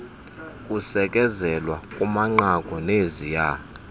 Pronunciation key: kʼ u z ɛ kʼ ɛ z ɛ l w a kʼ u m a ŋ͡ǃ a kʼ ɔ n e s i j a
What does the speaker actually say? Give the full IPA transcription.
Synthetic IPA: kʼ u s ɛ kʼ ɛ z ɛ l w a kʼ u m a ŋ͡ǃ a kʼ ɔ n e z i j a

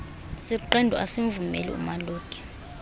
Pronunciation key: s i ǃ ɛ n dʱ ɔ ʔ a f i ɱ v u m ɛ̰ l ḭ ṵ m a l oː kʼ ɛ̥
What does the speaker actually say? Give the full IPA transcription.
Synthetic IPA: s i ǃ ɛ n dʱ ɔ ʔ a s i ɱ v u m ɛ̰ l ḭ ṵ m a l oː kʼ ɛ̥

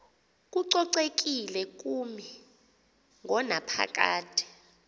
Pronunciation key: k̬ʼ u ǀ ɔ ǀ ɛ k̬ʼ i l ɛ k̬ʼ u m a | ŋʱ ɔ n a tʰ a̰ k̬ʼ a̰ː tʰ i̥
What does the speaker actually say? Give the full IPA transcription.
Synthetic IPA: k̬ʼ u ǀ ɔ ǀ e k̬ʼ i l ɛ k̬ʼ u m i | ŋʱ ɔ n a pʰ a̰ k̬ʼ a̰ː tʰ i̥

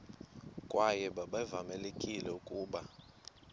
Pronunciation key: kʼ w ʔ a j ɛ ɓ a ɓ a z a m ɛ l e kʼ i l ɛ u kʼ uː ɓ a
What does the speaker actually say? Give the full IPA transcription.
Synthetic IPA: kʼ w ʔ a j ɛ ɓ a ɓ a v a m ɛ l e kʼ i l ɛ u kʼ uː ɓ a

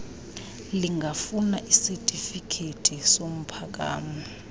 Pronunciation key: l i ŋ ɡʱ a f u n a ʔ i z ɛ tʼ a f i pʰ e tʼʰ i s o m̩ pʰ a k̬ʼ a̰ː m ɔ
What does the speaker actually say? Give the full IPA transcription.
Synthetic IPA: l i ŋ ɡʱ a f u n a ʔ i s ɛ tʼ i f i kʰ e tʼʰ i s o m̩ pʰ a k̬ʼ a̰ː m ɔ

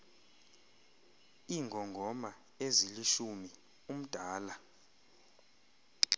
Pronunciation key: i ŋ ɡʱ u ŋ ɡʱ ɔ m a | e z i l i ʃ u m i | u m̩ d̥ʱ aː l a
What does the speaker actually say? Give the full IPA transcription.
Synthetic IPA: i ŋ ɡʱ ɔ ŋ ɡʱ ɔ m a | e z i l i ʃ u m i | u m̩ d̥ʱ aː l a

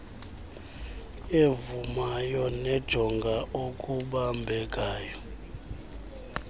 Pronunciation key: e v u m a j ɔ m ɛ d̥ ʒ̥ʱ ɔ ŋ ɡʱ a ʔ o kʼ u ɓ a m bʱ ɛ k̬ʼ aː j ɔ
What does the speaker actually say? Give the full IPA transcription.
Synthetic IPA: e v u m a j ɔ n ɛ d̥ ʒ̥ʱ ɔ ŋ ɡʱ a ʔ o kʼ u ɓ a m bʱ ɛ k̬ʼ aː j ɔ

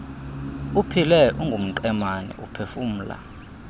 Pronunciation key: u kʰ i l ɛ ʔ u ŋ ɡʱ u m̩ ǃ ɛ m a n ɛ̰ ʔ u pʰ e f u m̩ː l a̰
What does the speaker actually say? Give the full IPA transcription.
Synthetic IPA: u pʰ i l ɛ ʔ u ŋ ɡʱ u m̩ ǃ ɛ m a n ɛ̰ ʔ u pʰ e f u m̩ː l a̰

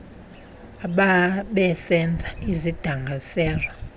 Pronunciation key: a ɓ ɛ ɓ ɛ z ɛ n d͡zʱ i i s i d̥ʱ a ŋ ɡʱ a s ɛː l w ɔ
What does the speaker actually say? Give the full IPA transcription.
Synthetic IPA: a ɓ a ɓ ɛ s ɛ n d͡zʱ a i z i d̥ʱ a ŋ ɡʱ a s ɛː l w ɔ

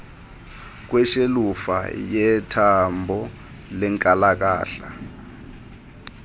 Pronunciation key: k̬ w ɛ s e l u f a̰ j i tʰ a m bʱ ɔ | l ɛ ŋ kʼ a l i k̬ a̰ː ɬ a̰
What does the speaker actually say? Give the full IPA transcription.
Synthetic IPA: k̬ w ɛ ʃ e l u f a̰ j ɛ tʰ a m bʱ ɔ | l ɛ ŋ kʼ a l a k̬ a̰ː ɬ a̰

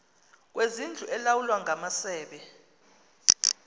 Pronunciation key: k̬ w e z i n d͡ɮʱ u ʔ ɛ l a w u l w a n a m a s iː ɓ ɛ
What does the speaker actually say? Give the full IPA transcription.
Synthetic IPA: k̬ w e z i n d͡ɮʱ u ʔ ɛ l a w u l w a ŋ a m a s ɛː ɓ ɛ

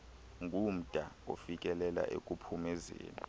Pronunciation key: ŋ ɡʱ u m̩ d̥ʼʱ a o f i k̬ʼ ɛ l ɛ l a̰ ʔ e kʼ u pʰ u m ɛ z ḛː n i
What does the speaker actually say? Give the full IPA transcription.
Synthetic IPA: ŋ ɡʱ u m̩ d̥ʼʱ a o f i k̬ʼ ɛ l ɛ l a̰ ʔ e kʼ u pʰ u m ɛ z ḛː n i

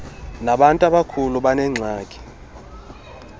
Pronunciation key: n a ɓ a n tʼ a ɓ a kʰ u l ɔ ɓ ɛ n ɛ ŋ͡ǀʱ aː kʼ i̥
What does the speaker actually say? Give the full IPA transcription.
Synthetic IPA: n a ɓ a n tʼ a ɓ a kʰ u l u ɓ a n ɛ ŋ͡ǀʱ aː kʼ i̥

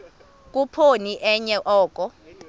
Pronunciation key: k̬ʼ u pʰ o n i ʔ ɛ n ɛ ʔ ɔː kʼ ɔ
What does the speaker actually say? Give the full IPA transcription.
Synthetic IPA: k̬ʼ u pʰ o n i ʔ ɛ ɲ ɛ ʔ ɔː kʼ ɔ

